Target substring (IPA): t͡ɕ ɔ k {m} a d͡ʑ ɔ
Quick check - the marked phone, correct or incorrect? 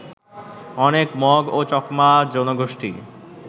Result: correct